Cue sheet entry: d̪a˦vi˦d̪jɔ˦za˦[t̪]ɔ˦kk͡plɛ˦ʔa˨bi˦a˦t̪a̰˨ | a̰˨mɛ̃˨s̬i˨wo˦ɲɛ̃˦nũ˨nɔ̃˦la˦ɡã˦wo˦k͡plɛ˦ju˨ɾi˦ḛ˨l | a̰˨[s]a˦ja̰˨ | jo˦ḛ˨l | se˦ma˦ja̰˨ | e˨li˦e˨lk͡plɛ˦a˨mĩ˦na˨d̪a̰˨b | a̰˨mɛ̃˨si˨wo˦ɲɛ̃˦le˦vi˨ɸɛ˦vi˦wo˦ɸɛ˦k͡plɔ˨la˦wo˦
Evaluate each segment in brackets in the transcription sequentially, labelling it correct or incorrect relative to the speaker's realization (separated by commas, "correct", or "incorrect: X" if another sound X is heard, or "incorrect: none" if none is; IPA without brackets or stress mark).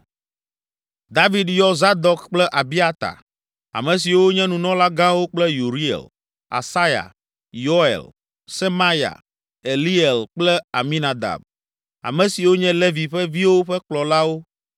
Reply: incorrect: d̪, correct